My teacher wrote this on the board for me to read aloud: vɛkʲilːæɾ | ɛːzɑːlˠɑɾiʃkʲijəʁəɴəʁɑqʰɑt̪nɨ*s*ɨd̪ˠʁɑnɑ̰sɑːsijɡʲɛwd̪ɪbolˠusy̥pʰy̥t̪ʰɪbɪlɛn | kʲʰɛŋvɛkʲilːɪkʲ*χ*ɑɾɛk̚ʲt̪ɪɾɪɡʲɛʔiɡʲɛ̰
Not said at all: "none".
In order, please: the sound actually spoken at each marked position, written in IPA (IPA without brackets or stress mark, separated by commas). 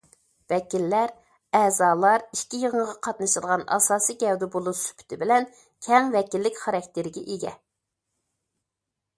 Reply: ʃ, χ